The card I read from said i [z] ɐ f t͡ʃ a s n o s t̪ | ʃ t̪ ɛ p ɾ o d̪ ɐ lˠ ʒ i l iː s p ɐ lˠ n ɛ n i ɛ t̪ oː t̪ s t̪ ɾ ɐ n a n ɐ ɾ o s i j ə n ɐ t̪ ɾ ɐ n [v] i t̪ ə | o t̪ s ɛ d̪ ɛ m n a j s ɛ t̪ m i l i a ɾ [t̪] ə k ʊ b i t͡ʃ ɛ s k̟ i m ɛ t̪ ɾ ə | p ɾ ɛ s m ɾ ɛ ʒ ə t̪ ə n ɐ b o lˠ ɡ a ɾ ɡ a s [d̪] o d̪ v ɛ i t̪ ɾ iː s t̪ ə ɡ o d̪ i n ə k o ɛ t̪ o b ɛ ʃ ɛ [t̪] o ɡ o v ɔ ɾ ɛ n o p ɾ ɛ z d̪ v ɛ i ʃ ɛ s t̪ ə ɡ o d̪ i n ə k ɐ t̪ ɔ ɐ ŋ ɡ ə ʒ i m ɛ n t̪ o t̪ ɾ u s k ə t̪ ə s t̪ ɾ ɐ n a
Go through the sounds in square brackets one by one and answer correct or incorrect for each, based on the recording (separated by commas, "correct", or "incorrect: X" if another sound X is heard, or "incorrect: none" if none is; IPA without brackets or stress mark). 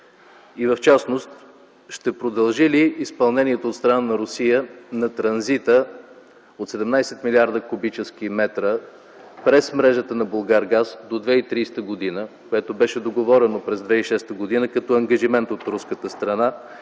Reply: incorrect: v, incorrect: z, incorrect: d̪, correct, incorrect: d̪